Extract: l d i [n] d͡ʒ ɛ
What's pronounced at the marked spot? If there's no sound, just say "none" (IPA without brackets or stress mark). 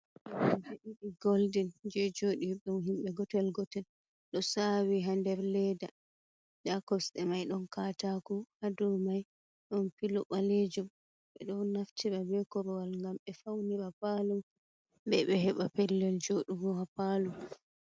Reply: n